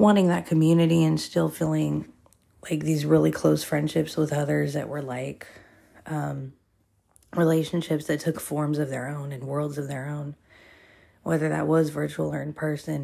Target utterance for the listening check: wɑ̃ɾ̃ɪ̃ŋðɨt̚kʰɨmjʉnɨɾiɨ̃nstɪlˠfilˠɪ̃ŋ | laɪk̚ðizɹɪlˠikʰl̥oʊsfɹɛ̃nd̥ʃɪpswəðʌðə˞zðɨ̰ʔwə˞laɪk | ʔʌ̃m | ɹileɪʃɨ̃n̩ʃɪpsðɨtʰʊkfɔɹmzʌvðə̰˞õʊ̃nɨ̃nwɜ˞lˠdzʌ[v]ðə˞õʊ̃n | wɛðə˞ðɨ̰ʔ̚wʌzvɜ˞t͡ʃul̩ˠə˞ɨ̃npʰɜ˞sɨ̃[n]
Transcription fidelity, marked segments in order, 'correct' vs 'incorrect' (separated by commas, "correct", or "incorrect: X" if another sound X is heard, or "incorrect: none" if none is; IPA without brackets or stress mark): correct, correct